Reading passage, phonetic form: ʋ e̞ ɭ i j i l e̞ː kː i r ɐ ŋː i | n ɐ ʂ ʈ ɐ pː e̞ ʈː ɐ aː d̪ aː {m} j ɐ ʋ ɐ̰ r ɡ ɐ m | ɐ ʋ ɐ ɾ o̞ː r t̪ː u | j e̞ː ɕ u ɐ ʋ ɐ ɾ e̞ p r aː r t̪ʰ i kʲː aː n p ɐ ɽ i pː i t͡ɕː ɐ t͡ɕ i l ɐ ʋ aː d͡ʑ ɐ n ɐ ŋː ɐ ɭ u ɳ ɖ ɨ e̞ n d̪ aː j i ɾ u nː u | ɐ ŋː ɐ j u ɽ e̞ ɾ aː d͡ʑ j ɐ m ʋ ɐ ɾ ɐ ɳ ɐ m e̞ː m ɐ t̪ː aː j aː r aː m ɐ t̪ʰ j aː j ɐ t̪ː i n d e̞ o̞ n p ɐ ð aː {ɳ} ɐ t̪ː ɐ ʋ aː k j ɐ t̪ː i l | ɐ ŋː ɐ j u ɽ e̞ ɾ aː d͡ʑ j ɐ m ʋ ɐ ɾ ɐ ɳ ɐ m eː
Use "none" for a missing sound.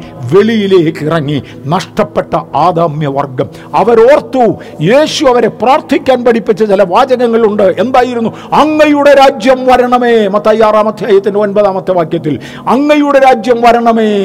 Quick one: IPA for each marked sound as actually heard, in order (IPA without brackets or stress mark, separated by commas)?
m, m